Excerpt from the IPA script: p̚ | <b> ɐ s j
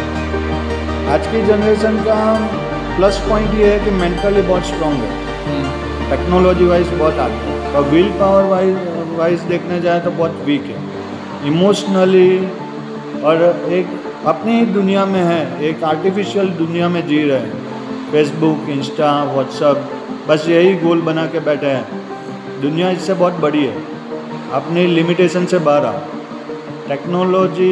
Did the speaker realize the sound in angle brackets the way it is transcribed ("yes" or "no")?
yes